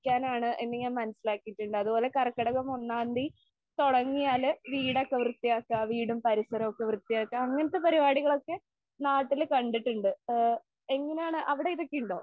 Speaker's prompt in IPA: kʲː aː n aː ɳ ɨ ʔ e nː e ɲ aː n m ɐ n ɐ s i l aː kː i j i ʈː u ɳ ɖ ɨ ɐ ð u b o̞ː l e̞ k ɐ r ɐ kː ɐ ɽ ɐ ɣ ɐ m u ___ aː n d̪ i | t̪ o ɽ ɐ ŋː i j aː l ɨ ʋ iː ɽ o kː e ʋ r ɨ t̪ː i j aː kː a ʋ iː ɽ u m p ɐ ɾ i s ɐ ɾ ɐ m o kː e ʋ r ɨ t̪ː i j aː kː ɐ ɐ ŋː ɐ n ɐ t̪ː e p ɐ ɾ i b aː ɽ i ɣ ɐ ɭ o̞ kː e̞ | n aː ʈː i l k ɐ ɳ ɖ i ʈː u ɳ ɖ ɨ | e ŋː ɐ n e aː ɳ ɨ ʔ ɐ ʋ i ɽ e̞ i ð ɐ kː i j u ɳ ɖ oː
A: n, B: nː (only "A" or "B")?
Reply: B